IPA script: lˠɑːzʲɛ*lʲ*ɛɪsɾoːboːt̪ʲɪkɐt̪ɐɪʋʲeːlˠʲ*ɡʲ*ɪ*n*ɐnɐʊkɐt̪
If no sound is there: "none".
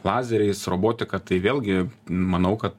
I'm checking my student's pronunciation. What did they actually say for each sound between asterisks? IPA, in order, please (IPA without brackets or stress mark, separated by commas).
ɾʲ, ɡʲ, m